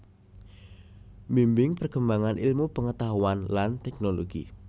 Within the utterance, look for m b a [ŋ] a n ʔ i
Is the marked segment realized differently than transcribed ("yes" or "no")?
no